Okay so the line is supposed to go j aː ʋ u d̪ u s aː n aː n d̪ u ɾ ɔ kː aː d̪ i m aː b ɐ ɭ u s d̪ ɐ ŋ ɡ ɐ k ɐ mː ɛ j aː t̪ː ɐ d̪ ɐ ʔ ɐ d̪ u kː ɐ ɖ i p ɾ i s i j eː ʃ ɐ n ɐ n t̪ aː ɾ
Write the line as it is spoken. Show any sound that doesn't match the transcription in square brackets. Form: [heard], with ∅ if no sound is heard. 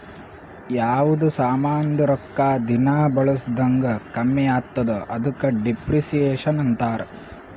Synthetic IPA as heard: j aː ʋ u d̪ u s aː [m] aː n d̪ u ɾ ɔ kː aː d̪ i [n] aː b ɐ ɭ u s d̪ ɐ ŋ ɡ ɐ k ɐ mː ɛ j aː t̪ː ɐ d̪ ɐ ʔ ɐ d̪ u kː ɐ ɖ i p ɾ i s i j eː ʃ ɐ n ɐ n t̪ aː ɾ